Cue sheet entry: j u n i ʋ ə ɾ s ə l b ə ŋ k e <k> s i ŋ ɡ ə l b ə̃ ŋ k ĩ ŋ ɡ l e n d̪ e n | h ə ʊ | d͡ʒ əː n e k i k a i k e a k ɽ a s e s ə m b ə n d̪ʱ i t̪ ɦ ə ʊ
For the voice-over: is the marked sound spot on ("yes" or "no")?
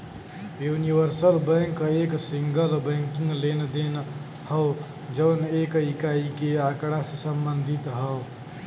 yes